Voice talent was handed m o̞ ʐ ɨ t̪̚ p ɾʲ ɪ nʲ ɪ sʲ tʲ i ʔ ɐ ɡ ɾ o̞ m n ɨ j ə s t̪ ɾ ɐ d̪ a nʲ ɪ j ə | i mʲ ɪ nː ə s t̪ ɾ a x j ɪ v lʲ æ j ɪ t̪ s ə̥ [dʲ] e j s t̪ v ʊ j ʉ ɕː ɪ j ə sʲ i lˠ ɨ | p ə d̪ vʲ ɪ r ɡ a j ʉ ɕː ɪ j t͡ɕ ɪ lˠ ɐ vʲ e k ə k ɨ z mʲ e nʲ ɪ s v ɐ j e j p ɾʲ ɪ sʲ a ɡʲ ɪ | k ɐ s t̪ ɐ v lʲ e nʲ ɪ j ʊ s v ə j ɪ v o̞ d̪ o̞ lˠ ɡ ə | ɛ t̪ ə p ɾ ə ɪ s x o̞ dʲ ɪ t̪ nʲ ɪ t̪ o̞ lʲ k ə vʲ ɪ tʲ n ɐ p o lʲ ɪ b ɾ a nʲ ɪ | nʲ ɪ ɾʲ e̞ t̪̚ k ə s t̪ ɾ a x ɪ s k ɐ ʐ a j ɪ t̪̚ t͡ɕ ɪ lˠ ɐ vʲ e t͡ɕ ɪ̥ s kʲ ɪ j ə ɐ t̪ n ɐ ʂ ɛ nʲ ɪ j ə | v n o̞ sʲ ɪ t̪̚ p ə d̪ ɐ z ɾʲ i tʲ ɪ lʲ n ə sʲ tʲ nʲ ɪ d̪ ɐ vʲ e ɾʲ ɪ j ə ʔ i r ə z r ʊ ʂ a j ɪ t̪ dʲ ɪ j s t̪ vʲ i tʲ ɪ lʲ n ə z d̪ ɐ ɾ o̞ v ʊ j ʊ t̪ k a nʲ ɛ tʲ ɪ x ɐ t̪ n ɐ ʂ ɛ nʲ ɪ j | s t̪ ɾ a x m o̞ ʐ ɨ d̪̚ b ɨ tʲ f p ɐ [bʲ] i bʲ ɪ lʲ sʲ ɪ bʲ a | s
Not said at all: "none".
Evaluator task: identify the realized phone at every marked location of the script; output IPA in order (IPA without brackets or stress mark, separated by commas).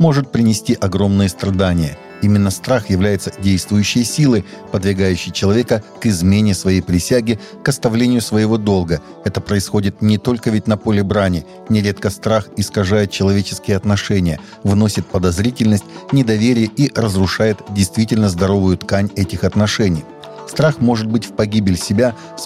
dʲ, ɡʲ